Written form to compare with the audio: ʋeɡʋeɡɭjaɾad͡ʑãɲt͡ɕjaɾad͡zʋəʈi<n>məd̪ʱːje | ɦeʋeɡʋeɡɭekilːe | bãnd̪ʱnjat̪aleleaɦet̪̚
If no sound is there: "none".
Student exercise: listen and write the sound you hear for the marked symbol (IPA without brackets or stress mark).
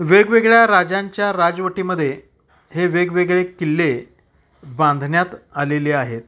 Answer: none